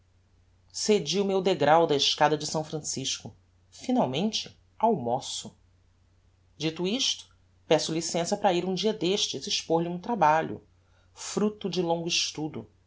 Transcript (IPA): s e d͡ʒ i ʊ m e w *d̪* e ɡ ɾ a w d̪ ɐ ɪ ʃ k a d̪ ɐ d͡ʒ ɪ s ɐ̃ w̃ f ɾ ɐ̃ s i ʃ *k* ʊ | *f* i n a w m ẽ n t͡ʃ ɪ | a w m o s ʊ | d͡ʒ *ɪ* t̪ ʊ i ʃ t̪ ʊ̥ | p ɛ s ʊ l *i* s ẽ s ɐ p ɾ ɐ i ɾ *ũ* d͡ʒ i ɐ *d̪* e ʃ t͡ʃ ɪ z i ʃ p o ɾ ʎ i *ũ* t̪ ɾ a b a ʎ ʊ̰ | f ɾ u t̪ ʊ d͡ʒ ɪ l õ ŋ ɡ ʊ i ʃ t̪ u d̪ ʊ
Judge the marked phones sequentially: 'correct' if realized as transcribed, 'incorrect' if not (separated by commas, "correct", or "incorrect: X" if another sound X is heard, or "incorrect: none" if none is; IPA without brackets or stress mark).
correct, correct, correct, incorrect: i, correct, correct, correct, correct